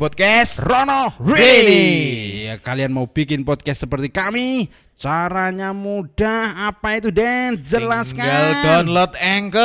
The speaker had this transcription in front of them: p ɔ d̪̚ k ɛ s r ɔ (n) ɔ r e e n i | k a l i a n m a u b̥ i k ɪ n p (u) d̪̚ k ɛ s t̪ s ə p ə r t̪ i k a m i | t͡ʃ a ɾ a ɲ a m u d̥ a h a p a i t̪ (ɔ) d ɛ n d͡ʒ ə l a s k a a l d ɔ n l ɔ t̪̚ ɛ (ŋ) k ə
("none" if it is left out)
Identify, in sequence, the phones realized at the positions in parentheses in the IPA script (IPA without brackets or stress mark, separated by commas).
n, ɔ, u, ŋ